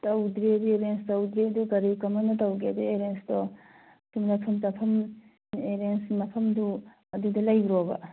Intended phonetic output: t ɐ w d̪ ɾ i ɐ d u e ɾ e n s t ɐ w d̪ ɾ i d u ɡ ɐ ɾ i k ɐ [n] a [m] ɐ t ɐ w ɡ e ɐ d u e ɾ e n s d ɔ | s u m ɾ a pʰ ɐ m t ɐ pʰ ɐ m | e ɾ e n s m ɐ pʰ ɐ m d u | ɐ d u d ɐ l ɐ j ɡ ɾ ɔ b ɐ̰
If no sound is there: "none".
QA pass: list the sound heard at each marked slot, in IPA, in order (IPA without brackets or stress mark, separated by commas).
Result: m, n